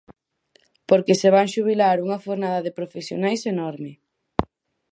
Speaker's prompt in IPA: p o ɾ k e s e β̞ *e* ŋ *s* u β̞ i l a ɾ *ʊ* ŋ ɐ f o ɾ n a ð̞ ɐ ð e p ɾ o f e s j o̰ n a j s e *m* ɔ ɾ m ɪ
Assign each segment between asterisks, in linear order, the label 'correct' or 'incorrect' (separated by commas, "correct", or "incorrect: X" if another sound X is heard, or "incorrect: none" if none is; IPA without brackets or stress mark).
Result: incorrect: a, incorrect: ʃ, incorrect: u, incorrect: n